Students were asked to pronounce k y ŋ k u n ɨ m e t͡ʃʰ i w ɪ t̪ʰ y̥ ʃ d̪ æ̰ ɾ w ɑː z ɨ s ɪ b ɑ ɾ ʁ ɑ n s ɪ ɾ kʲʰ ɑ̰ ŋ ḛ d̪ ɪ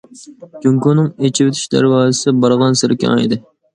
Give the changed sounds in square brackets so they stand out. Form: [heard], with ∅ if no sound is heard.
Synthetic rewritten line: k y ŋ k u n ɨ [ŋ] e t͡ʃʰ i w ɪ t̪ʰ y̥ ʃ d̪ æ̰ ɾ w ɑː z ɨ s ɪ b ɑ ɾ ʁ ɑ n s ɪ ɾ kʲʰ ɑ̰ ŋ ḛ d̪ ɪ